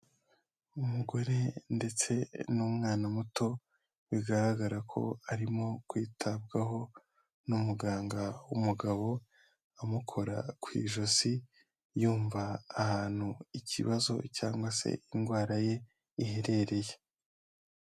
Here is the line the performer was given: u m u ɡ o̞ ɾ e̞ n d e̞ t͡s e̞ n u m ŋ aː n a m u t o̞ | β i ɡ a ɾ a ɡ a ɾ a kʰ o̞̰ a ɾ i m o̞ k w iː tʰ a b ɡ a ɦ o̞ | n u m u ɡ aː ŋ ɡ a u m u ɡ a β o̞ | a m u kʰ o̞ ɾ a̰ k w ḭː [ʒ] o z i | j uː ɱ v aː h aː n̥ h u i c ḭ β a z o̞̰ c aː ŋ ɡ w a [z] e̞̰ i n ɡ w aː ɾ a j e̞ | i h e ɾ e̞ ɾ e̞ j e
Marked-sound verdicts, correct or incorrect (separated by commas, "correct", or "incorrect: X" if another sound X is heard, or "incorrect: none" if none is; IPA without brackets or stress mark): correct, incorrect: s